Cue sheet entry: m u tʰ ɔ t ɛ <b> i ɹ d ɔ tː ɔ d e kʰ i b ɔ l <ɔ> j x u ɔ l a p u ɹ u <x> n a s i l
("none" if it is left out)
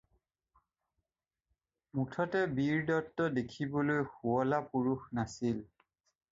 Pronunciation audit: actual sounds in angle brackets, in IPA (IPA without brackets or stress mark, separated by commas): b, o, x